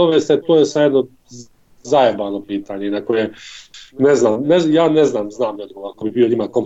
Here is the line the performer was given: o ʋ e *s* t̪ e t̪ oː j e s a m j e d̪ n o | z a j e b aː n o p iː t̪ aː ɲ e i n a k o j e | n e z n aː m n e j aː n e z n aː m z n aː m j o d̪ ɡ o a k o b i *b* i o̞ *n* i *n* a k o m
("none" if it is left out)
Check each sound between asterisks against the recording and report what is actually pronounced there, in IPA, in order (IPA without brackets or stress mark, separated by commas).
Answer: s, b, ɲ, m